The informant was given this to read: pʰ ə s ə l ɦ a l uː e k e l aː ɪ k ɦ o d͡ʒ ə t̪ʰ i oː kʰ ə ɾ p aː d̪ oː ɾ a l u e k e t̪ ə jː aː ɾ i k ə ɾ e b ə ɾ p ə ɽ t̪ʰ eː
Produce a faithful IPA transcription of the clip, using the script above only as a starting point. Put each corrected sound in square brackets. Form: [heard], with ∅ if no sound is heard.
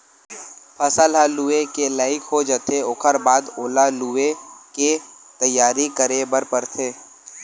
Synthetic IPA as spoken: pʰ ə s ə l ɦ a l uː e k e l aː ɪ k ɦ o d͡ʒ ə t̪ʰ [e] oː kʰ ə ɾ [b] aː d̪ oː [l] a l u e k e t̪ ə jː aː ɾ i k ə ɾ e b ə ɾ p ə [ɾ] t̪ʰ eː